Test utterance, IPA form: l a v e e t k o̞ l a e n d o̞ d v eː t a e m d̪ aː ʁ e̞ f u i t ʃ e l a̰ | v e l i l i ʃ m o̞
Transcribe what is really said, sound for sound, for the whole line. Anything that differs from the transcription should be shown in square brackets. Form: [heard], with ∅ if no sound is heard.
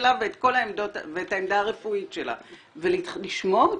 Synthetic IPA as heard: l a v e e t k o̞ l a e [m] d o̞ [t] v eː t a e m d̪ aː ʁ e̞ f u i t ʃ e l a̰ | v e l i l i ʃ m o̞